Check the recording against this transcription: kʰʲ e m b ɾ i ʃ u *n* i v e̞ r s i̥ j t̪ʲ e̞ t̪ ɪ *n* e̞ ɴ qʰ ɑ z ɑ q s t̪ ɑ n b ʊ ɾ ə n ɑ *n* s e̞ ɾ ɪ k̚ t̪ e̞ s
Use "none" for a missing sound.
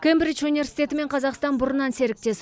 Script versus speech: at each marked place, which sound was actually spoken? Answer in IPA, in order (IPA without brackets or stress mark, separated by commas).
n, m, n